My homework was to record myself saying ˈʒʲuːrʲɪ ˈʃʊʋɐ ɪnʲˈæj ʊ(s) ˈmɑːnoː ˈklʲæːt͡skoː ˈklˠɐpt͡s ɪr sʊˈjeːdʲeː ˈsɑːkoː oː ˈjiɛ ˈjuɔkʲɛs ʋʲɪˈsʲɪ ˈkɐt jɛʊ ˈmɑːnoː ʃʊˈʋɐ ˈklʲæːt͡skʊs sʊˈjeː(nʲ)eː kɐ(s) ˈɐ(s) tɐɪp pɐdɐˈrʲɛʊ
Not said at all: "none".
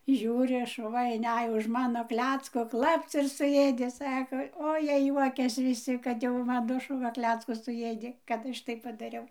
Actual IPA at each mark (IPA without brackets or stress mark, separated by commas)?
ʃ, dʲ, t, ʃ